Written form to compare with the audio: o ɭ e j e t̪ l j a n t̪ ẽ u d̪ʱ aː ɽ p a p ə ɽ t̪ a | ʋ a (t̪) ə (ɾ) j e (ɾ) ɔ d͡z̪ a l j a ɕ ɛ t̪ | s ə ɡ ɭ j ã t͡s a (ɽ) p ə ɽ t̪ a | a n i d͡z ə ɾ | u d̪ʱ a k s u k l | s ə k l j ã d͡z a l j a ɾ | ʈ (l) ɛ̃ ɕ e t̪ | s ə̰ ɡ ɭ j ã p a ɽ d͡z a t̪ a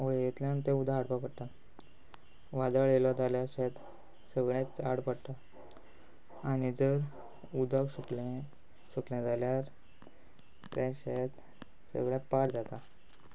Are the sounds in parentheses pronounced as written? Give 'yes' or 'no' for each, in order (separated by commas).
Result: no, no, no, yes, no